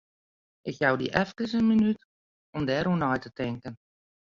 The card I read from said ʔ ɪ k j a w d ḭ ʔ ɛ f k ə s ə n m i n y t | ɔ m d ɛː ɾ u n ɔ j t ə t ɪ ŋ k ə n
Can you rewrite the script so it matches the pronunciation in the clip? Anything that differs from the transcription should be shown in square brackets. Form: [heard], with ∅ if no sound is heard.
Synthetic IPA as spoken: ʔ ɪ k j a w d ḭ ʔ ɛ f k ə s ə n m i n y t | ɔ m d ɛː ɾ u n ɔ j t ə t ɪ ŋ k ə n